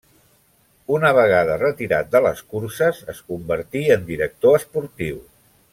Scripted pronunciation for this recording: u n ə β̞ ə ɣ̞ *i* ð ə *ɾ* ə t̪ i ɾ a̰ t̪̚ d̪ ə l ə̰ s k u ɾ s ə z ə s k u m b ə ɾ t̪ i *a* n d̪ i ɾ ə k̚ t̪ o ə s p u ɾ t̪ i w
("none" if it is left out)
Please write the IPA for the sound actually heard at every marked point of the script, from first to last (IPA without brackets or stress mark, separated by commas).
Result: a, r, ə